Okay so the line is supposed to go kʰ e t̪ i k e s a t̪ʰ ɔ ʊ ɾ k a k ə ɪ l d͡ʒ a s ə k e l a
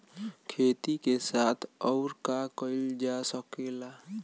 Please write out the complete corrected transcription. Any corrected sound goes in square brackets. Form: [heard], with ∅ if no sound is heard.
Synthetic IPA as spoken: kʰ e t̪ i k e s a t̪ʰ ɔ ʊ ɾ k a k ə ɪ l d͡ʒ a s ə k e l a